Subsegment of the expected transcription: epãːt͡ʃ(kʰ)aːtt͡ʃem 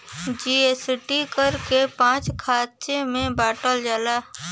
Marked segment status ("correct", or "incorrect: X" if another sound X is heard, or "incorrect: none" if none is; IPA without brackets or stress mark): correct